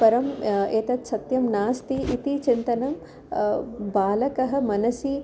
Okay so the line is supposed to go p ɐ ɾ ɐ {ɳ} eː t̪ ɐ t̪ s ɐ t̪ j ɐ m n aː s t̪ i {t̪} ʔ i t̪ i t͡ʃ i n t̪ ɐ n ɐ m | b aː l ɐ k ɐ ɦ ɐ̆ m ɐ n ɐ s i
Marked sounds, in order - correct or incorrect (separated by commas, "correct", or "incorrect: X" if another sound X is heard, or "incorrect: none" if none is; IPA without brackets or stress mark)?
incorrect: m, incorrect: none